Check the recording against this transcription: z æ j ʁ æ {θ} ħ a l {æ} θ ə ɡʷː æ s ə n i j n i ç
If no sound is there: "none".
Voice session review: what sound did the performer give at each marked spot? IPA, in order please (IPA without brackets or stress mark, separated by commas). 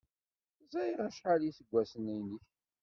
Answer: ʃ, i